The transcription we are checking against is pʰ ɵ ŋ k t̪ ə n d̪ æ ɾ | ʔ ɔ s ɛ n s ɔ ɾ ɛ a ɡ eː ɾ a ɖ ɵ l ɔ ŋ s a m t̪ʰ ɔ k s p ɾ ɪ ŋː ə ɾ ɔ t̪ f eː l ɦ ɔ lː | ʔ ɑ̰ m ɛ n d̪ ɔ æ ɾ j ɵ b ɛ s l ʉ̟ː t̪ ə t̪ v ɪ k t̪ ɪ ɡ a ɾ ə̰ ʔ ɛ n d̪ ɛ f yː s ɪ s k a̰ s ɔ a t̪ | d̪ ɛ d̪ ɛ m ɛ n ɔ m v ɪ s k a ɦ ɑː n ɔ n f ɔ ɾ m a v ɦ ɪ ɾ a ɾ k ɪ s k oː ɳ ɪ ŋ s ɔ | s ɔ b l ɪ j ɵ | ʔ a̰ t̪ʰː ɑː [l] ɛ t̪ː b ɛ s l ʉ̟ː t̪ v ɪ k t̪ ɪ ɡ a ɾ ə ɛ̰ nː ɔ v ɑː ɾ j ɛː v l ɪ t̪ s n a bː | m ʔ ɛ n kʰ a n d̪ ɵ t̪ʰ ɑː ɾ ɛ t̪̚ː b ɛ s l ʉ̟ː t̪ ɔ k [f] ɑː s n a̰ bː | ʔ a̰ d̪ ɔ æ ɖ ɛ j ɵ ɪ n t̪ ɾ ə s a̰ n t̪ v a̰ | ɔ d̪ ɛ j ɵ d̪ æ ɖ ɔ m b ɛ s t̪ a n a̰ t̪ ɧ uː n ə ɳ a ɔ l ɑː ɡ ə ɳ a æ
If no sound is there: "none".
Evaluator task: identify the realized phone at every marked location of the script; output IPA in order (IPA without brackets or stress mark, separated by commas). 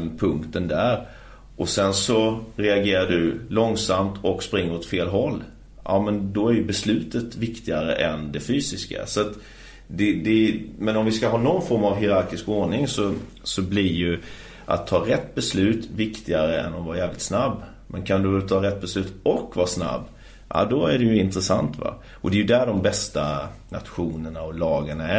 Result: ɾ, v